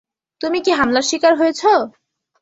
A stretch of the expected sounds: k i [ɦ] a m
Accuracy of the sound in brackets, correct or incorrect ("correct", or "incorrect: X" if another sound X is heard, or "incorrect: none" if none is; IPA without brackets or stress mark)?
correct